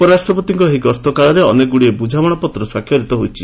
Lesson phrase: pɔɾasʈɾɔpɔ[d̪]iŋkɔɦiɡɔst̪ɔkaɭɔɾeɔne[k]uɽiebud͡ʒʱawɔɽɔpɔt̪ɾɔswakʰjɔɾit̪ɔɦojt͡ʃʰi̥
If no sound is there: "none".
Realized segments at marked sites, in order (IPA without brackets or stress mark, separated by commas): t̪, ɡ